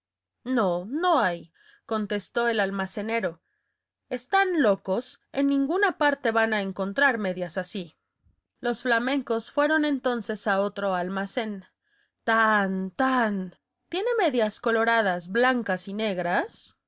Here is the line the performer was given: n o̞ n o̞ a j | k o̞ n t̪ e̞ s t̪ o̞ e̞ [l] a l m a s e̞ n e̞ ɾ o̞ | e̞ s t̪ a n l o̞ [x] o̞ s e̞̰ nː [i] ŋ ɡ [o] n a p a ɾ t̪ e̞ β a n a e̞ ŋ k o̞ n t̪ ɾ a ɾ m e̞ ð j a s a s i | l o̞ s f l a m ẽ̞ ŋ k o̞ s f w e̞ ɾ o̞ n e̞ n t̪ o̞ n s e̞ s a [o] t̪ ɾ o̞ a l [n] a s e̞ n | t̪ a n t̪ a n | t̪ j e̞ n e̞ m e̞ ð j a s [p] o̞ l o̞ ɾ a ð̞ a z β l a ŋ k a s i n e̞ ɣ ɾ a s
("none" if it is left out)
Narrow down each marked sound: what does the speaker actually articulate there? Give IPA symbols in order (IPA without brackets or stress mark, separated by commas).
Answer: l, k, ĩ, u, o, m, k